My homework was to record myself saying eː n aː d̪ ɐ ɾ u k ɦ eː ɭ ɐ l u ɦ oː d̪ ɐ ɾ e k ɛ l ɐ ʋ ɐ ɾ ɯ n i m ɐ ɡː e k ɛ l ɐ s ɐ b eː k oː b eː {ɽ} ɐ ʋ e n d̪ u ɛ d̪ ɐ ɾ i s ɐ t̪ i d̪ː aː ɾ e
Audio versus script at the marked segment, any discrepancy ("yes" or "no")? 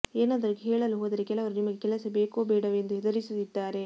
no